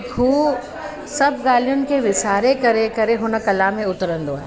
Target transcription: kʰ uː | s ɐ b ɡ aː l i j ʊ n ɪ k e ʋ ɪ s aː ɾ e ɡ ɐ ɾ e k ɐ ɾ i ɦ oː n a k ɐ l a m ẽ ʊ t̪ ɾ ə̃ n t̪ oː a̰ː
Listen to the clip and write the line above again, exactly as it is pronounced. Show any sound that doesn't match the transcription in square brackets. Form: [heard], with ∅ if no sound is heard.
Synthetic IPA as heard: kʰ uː | s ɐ b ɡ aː l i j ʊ n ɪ k e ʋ ɪ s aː ɾ e [k] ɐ ɾ e k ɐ ɾ [e] ɦ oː n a k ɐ l a m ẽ ʊ t̪ ɾ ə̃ n [d̪] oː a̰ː